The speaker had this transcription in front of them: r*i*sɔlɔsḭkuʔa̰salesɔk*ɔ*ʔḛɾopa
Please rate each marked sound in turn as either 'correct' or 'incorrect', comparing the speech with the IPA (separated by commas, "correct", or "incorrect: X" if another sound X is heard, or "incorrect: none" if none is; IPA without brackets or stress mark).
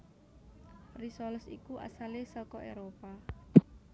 correct, correct